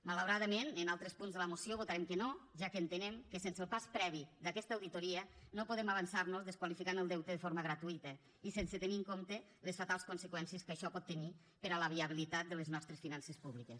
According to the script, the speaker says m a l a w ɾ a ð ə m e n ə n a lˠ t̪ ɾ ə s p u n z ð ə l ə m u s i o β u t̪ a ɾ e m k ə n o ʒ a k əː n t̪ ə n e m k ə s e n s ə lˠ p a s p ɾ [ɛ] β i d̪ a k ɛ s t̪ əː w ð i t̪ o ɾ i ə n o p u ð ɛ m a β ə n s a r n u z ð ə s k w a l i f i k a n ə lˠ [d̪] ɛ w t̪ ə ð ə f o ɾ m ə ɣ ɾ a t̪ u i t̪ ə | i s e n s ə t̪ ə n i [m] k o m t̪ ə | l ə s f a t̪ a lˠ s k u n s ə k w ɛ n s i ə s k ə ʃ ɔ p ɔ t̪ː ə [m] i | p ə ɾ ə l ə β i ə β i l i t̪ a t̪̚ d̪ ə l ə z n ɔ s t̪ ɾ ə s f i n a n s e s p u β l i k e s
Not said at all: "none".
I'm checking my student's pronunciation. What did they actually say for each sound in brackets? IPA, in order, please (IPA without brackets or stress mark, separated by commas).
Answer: ɛ, d̪, ŋ, n